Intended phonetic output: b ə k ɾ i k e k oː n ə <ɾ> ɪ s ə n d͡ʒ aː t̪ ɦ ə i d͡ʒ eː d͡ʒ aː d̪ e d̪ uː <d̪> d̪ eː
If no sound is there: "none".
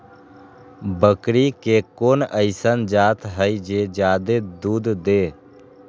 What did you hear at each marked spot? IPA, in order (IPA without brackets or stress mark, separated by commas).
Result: none, d̪